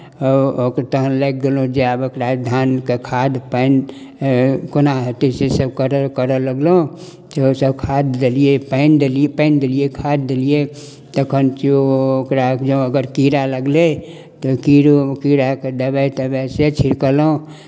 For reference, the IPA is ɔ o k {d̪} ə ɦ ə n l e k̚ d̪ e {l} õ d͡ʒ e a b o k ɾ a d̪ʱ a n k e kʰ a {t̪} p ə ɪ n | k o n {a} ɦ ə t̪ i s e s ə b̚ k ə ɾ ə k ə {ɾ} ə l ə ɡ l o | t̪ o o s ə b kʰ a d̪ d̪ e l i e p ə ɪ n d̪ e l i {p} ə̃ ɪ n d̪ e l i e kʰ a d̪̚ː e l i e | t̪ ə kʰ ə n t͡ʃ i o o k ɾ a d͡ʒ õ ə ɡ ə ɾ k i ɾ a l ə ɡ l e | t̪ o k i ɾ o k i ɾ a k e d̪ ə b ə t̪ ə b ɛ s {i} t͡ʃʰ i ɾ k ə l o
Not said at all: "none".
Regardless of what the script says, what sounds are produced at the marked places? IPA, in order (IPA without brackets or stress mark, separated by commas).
t̪, l, d̪, a, ɾ, p, e